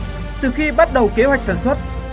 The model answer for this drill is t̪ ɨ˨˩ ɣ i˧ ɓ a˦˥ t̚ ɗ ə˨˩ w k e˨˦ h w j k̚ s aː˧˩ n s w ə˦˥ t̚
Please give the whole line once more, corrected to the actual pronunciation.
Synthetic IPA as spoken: t̪ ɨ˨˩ x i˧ ɓ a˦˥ t̚ ɗ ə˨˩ w k e˨˦ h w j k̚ s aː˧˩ n s w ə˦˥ t̚